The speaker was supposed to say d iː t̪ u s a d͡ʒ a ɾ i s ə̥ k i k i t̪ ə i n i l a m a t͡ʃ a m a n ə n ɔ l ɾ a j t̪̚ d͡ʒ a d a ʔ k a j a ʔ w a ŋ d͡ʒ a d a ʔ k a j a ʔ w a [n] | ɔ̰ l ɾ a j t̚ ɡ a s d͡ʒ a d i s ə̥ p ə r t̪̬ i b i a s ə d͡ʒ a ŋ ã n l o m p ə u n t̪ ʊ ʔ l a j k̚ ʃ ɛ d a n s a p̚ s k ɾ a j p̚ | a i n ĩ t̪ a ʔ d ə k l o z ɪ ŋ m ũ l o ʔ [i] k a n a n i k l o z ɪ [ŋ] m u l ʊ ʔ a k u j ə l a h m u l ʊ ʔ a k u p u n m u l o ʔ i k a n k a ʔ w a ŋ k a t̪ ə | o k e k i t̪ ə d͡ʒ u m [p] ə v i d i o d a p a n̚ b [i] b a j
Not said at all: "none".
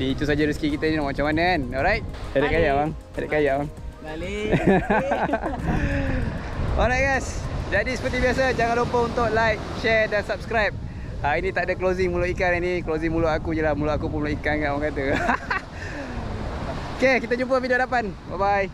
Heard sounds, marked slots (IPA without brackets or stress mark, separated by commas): ŋ, i, ŋ, p, a